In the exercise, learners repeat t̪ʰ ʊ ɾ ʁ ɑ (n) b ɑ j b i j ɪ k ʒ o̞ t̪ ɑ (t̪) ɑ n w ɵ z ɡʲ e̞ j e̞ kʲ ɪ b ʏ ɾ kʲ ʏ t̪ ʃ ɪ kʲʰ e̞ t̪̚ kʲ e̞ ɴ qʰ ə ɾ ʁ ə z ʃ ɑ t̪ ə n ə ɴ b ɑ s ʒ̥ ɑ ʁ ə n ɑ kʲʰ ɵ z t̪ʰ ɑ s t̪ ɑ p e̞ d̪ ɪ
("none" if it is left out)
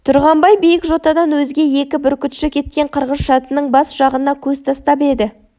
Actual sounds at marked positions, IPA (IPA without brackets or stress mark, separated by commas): m, d̪